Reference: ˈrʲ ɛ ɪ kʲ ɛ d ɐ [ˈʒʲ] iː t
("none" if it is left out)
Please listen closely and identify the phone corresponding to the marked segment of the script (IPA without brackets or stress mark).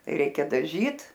ʒʲ